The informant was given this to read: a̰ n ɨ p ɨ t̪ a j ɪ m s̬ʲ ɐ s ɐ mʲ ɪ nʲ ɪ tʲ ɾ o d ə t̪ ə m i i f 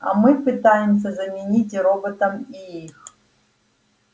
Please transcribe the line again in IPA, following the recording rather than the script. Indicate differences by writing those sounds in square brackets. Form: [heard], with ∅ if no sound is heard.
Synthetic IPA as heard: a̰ [m] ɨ p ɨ t̪ a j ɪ m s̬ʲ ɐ [z] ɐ mʲ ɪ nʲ [i] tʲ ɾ o [b] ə t̪ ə m i i [x]